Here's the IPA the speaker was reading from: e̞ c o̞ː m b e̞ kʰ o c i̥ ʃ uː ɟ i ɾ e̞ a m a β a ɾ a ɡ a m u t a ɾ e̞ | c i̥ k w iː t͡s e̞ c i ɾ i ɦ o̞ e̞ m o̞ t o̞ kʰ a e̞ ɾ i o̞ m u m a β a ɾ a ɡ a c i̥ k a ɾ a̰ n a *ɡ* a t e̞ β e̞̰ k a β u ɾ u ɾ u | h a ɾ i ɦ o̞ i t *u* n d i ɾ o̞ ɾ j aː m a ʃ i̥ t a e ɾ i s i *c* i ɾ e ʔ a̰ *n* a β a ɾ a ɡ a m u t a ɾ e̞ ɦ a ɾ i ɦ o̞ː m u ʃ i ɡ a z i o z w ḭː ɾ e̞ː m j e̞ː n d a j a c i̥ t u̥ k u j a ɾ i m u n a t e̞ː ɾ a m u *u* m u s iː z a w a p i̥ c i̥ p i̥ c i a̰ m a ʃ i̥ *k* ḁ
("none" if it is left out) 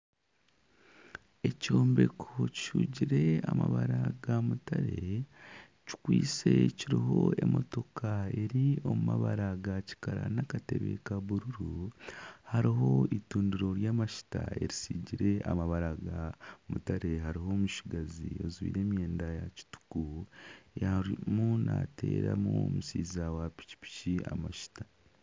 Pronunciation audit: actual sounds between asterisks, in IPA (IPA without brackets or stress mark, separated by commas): k, uː, ɟ, m, o, t